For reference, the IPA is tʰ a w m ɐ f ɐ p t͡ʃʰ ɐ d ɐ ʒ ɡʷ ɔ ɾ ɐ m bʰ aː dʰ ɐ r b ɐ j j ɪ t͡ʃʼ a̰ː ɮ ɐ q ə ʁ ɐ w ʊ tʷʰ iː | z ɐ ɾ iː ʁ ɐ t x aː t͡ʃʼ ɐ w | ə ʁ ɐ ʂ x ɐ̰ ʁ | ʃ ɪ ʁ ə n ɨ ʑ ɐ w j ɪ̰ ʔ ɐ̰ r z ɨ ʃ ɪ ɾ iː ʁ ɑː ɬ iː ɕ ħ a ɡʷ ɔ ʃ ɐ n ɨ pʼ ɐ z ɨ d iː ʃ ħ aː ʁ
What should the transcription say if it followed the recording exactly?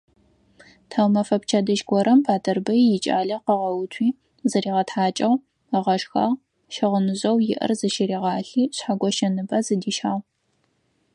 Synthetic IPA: tʰ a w m ɐ f ɐ p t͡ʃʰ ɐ d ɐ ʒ ɡʷ ɔ ɾ ɐ m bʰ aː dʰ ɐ r b ɐ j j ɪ t͡ʃʼ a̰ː ɮ ɐ q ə ʁ ɐ w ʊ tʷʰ iː | z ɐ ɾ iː ʁ ɐ t ħ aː t͡ʃʼ ɐ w | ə ʁ ɐ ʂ x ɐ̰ ʁ | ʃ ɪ ʁ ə n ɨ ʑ ɐ w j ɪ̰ ʔ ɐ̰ r z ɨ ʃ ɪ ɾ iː ʁ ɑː ɬ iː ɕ ħ a ɡʷ ɔ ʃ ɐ n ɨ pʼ ɐ z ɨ d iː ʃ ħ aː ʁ